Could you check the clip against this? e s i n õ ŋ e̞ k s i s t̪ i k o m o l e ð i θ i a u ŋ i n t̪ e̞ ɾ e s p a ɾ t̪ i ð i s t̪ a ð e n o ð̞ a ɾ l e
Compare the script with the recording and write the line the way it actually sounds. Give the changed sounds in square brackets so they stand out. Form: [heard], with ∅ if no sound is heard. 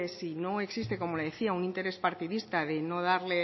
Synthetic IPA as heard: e s i n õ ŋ e̞ k s i s t̪ [e] k o m o l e ð [e] θ i a u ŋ i n t̪ e̞ ɾ e s p a ɾ t̪ i ð i s t̪ a ð e n o ð̞ a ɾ l e

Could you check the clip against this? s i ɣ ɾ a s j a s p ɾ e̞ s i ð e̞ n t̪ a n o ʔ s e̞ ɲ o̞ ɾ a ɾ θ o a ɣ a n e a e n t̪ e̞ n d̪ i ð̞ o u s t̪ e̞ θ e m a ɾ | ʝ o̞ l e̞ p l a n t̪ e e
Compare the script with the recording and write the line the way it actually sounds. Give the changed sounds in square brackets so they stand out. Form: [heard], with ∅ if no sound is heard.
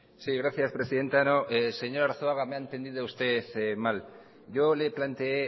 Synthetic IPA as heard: s i ɣ ɾ a [θ] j a s p ɾ e̞ s i ð e̞ n t̪ a n o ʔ s e̞ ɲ o̞ ɾ a ɾ θ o a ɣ a [m] e a e n t̪ e̞ n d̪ i ð̞ o u s t̪ e̞ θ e m a [l] | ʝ o̞ l e̞ p l a n t̪ e e

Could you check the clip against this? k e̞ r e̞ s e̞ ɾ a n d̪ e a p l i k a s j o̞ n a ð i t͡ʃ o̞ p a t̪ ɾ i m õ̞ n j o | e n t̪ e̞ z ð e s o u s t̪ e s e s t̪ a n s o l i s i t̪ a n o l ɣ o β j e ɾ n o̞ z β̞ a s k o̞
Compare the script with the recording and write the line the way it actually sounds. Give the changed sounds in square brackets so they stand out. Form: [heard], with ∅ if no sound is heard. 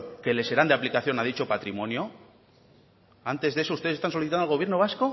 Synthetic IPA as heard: k e̞ [l] e̞ s e̞ ɾ a n d̪ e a p l i k a [θ] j o̞ n a ð i t͡ʃ o̞ p a t̪ ɾ i m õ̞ n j o | [a] n t̪ e̞ z ð e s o u s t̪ e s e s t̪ a n s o l i [θ] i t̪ a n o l ɣ o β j e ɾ n o̞ [∅] β̞ a s k o̞

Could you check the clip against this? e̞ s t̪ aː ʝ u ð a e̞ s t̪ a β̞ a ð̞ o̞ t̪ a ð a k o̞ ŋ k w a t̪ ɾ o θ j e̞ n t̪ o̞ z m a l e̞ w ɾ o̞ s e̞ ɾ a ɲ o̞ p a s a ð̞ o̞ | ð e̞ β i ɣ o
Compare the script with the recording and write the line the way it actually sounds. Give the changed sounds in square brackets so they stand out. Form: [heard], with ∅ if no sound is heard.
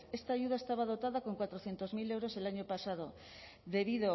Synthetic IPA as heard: e̞ s t̪ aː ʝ u ð a e̞ s t̪ a β̞ a ð̞ o̞ t̪ a ð a k o̞ ŋ k w a t̪ ɾ o θ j e̞ n t̪ o̞ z m [i] l e̞ w ɾ o̞ s e̞ [l] a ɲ o̞ p a s a ð̞ o̞ | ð e̞ β i [ð] o

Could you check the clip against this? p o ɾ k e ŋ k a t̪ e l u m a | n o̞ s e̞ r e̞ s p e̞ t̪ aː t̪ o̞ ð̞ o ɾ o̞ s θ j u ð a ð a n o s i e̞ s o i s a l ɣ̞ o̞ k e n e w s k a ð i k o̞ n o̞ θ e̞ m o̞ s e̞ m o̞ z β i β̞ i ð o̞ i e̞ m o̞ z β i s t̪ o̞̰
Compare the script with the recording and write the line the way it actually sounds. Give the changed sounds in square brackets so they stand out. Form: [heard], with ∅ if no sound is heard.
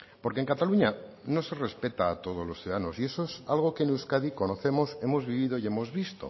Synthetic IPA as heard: p o ɾ k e ŋ k a t̪ [a] l u [ɲ] a | n o̞ s e̞ r e̞ s p e̞ t̪ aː t̪ o̞ ð̞ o [l] o̞ s θ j u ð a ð a n o s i e̞ s o [e] s a l ɣ̞ o̞ k e n e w s k a ð i k o̞ n o̞ θ e̞ m o̞ s e̞ m o̞ z β i β̞ i ð o̞ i e̞ m o̞ z β i s t̪ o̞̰

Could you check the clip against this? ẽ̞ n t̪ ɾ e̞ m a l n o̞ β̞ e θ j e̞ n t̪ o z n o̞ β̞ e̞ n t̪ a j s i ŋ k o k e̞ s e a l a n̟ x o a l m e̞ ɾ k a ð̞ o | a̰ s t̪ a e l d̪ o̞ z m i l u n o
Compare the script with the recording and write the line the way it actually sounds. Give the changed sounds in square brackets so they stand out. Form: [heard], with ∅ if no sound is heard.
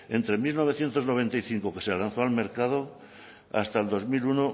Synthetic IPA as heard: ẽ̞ n t̪ ɾ e̞ m [i] l n o̞ β̞ e θ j e̞ n t̪ o z n o̞ β̞ e̞ n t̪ a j [θ] i ŋ k o k e̞ s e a l a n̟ [θ] o a l m e̞ ɾ k a ð̞ o | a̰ s t̪ a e l d̪ o̞ z m i l u n o

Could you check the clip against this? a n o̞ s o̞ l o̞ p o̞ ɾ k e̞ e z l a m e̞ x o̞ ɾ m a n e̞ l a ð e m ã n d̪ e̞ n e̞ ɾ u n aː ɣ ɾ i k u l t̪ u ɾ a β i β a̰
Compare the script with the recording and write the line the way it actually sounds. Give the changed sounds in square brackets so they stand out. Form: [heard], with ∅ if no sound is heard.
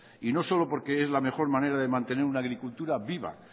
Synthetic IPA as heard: [i] n o̞ s o̞ l o̞ p o̞ ɾ k e̞ e z l a m e̞ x o̞ ɾ m a n e̞ [ɾ] a ð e m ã n [t̪] e̞ n e̞ ɾ u n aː ɣ ɾ i k u l t̪ u ɾ a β i β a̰

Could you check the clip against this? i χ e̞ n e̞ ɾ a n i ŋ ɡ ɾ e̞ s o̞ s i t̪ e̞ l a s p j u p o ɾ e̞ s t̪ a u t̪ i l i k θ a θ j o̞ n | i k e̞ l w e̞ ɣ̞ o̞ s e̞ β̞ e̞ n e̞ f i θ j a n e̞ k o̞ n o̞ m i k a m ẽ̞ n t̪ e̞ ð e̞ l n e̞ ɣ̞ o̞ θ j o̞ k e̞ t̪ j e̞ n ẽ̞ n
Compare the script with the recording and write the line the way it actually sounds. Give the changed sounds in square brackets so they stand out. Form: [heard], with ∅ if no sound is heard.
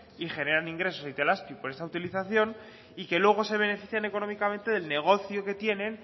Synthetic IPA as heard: i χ e̞ n e̞ ɾ a n i ŋ ɡ ɾ e̞ s o̞ s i t̪ e̞ l a s p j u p o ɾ e̞ s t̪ a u t̪ i l i [∅] θ a θ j o̞ n | i k e̞ l w e̞ ɣ̞ o̞ s e̞ β̞ e̞ n e̞ f i θ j a n e̞ k o̞ n o̞ m i k a m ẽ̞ n t̪ e̞ ð e̞ l n e̞ ɣ̞ o̞ θ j o̞ k e̞ t̪ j e̞ n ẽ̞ n

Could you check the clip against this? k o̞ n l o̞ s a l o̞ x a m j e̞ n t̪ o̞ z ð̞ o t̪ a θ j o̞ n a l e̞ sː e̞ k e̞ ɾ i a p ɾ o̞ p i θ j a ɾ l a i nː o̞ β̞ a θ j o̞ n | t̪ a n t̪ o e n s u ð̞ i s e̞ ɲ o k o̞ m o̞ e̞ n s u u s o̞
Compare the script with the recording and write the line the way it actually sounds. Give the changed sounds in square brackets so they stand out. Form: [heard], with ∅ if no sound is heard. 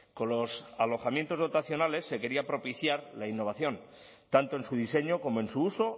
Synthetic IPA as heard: k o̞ n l o̞ s a l o̞ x a m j e̞ n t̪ o̞ z ð̞ o t̪ a θ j o̞ n a l e̞ sː e̞ k e̞ ɾ i a p ɾ o̞ p i θ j a ɾ l a i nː o̞ β̞ a θ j o̞ n | t̪ a n t̪ o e n s u ð̞ i s e̞ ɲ o k o̞ m o̞ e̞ n s u u s o̞

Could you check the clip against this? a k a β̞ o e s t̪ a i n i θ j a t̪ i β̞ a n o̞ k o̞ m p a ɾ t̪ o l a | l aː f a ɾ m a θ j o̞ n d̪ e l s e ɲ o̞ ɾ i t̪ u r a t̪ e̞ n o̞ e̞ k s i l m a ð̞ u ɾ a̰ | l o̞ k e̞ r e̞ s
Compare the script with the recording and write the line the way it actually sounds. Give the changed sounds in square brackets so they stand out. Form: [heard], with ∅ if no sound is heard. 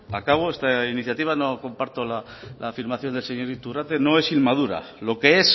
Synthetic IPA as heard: a k a β̞ o e s t̪ a i n i θ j a t̪ i β̞ a n o̞ k o̞ m p a ɾ t̪ o l a | l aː f [i] ɾ m a θ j o̞ n d̪ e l s e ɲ o̞ ɾ i t̪ u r a t̪ e̞ n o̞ e̞ [∅] s i l m a ð̞ u ɾ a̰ | l o̞ k e̞ [∅] e̞ s

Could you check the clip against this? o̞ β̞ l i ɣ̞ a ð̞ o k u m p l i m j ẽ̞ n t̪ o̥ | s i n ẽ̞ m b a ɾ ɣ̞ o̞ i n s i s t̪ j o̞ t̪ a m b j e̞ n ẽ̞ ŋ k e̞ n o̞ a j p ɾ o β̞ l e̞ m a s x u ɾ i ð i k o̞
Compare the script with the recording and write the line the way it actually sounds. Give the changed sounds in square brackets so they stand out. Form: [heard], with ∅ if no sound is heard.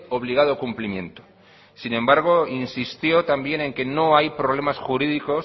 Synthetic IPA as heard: o̞ β̞ l i ɣ̞ a ð̞ o k u m p l i m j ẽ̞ n t̪ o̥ | s i n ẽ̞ m b a ɾ ɣ̞ o̞ i n s i s t̪ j o̞ t̪ a m b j e̞ n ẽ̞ ŋ k e̞ n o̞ a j p ɾ o β̞ l e̞ m a s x u ɾ i ð i k o̞

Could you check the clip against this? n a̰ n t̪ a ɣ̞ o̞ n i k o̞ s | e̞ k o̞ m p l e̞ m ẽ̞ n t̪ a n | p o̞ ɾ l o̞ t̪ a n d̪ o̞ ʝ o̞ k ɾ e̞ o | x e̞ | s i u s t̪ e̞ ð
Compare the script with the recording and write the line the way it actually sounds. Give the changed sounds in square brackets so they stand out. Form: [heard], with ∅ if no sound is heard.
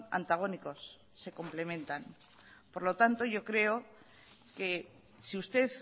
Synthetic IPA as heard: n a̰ n t̪ a ɣ̞ o̞ n i k o̞ [sː] | e̞ k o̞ m p l e̞ m ẽ̞ n t̪ a n | p o̞ ɾ l o̞ t̪ a n [t̪] o̞ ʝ o̞ k ɾ e̞ o | [k] e̞ | s i u s t̪ e̞ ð

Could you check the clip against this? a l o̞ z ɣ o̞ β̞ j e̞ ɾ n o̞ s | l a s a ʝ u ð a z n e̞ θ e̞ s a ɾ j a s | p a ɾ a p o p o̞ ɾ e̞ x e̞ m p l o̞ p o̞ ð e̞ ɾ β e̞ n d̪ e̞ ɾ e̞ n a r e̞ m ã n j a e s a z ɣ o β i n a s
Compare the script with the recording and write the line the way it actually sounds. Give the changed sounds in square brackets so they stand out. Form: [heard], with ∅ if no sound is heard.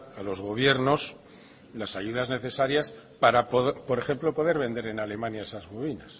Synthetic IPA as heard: a l o̞ z ɣ o̞ β̞ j e̞ ɾ n o̞ s | l a s a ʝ u ð a z n e̞ θ e̞ s a ɾ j a s | p a ɾ a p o p o̞ ɾ e̞ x e̞ m p l o̞ p o̞ ð e̞ ɾ β e̞ n d̪ e̞ ɾ e̞ n a [l] e̞ m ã n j a e s a z ɣ o β i n a s

